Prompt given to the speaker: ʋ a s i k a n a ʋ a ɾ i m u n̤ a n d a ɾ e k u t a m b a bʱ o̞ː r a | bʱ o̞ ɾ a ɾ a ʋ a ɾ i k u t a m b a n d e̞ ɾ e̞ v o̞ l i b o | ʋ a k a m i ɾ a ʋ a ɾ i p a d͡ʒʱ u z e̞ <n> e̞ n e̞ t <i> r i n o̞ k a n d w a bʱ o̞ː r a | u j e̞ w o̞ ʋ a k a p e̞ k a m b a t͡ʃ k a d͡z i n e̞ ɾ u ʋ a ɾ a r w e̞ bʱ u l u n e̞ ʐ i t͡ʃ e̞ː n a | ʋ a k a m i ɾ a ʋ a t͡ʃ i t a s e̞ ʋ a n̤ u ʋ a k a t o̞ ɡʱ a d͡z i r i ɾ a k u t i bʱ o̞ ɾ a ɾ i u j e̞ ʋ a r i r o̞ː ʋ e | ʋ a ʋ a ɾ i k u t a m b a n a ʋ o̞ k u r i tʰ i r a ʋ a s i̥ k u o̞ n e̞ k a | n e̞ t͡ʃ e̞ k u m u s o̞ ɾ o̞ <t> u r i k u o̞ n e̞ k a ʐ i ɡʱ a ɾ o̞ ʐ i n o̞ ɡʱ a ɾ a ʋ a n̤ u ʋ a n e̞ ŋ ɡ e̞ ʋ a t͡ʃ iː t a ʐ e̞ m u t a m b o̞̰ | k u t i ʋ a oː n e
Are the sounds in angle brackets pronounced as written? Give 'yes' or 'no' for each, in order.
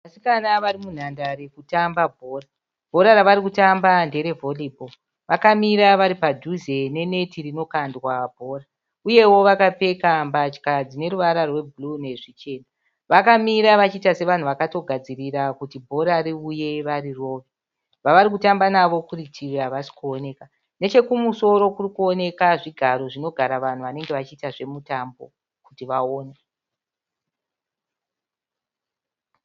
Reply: yes, yes, no

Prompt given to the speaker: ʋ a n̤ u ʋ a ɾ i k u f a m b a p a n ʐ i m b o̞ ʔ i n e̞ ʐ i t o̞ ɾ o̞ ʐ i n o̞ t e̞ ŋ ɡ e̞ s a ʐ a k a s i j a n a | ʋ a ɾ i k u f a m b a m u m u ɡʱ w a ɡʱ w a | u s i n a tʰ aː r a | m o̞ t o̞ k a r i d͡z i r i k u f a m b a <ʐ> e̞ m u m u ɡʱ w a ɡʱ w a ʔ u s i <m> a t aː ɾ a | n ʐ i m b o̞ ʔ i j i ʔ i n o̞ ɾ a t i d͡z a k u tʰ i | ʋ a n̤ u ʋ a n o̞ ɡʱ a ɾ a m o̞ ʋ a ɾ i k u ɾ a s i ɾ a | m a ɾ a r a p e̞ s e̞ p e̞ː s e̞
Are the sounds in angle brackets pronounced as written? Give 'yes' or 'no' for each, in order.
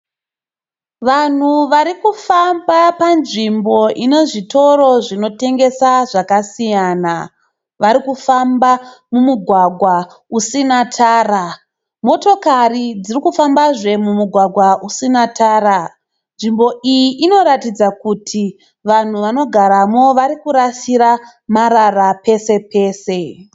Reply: yes, no

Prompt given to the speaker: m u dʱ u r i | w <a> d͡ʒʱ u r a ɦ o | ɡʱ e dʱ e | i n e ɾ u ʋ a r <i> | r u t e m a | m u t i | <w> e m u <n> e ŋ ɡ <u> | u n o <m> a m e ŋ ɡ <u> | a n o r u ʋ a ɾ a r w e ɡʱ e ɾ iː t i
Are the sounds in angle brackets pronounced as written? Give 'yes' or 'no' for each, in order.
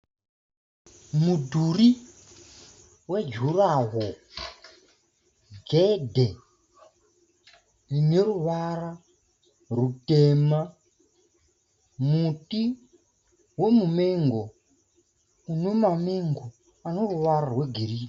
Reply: no, no, yes, no, no, yes, no

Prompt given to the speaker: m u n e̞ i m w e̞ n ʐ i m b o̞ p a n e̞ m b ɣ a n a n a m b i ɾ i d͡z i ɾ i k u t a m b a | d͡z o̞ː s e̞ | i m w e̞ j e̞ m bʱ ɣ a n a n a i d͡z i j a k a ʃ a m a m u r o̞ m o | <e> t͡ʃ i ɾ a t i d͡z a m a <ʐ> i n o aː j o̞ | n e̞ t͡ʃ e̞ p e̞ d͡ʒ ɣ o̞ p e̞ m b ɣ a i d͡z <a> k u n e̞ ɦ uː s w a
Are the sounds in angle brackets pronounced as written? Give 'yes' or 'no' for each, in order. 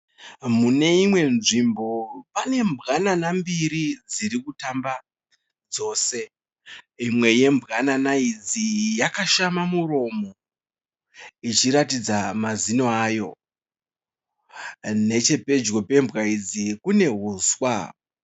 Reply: no, no, no

